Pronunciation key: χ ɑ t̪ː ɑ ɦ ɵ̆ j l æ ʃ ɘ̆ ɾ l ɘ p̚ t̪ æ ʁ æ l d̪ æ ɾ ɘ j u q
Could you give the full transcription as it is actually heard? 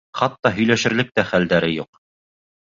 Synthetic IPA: χ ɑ t̪ː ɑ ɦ ɵ̆ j l æ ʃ ɘ̆ ɾ l ɘ k̚ t̪ æ χ æ l d̪ æ ɾ ɘ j u q